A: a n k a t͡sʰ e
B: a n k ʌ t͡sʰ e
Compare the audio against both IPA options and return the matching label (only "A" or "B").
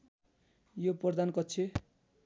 B